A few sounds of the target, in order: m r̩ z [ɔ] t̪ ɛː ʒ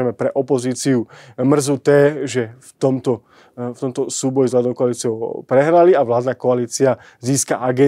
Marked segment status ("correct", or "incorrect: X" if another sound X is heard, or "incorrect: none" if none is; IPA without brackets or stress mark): incorrect: u